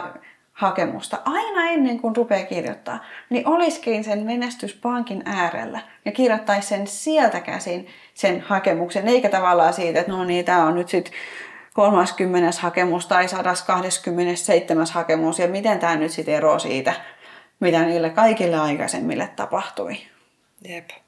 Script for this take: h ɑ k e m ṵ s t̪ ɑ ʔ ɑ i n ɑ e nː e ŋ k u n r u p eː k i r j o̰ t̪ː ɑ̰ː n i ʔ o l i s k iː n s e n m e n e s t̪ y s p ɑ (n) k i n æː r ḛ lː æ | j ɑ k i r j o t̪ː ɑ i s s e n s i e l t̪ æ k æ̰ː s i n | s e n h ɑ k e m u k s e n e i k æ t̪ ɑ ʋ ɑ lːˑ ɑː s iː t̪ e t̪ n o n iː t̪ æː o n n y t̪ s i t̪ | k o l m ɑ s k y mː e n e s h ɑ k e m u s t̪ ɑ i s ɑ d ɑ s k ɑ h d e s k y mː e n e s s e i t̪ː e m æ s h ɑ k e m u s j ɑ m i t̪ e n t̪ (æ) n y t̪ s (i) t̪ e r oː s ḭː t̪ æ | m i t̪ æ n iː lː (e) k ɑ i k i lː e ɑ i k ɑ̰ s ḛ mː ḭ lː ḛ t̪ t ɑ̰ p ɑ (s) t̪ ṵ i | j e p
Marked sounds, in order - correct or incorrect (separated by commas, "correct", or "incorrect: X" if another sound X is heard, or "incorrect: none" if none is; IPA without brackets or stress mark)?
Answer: incorrect: ŋ, incorrect: æː, correct, correct, incorrect: h